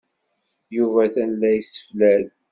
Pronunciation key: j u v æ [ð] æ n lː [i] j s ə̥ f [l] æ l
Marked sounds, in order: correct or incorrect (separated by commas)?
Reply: incorrect, incorrect, correct